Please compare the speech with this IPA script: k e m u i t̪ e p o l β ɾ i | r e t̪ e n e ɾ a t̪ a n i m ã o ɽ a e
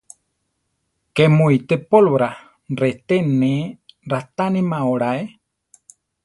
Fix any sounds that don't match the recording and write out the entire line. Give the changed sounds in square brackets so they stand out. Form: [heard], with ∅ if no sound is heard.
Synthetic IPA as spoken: k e m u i t̪ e p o l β ɾ [a] | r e t̪ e n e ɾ a t̪ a n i m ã o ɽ a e